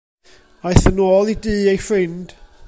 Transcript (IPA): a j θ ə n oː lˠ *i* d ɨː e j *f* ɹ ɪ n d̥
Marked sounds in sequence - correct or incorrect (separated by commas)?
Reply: correct, correct